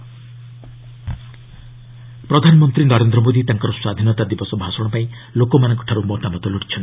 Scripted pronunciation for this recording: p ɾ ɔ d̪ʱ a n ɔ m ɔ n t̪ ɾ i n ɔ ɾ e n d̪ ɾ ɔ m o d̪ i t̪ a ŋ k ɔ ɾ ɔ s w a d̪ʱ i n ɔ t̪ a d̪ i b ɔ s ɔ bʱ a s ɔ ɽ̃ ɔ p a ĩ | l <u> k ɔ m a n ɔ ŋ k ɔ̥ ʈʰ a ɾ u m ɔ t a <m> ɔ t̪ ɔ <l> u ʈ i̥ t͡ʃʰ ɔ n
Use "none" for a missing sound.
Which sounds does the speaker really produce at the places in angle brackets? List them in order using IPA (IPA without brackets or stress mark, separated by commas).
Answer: o, m, l